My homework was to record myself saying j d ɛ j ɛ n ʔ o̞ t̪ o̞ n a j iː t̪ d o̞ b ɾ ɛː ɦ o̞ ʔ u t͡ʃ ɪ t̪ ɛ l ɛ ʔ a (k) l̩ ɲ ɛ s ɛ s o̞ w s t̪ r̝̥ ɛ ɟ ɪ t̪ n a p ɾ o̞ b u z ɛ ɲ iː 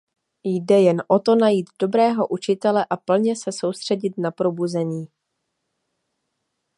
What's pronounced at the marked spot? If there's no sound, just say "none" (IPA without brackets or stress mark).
p